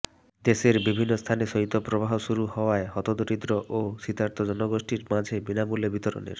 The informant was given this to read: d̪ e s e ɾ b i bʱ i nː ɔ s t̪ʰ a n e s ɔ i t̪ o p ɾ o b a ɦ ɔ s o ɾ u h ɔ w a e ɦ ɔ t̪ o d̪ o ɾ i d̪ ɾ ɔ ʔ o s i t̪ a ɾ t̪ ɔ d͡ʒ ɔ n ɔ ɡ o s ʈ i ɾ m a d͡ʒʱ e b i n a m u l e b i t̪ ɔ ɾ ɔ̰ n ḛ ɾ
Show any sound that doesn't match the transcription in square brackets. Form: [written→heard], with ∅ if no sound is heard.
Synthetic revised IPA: d̪ e s e ɾ b i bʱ i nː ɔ s t̪ʰ a n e s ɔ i t̪ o p ɾ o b a ɦ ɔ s [o→u] ɾ u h ɔ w a e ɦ ɔ t̪ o d̪ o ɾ i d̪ ɾ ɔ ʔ o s i t̪ a ɾ t̪ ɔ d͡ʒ ɔ n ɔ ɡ o s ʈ i ɾ m a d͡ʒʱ e b i n a m u l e b i t̪ ɔ ɾ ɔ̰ n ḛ ɾ